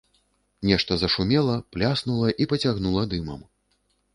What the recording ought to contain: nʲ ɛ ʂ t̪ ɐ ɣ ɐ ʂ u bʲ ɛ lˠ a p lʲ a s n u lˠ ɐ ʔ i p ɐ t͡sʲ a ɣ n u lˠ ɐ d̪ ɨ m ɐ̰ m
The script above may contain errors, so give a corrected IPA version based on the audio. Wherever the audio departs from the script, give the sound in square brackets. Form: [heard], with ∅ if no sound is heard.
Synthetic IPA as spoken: nʲ ɛ ʂ t̪ ɐ [z] ɐ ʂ u [mʲ] ɛ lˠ [ɐ] p lʲ a s n u lˠ ɐ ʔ i p ɐ t͡sʲ a ɣ n u lˠ ɐ d̪ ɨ m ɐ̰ m